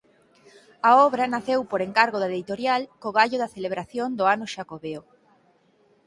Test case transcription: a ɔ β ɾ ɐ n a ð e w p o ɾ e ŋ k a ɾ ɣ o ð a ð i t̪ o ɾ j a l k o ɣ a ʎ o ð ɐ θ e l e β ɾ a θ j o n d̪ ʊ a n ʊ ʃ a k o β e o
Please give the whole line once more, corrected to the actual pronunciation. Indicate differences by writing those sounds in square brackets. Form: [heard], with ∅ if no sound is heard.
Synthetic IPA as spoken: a ɔ β ɾ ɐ n a [θ] e w p o ɾ e ŋ k a ɾ ɣ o ð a ð i t̪ o ɾ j a l k o ɣ a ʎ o ð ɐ θ e l e β ɾ a θ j o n d̪ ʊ a n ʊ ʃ a k o β e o